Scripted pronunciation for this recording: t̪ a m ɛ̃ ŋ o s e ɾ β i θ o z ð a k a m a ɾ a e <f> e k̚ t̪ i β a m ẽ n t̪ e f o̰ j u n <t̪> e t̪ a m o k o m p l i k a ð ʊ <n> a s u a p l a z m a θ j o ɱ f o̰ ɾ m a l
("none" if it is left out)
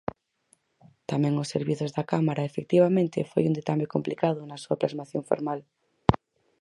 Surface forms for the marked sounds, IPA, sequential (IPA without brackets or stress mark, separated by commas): f, d̪, n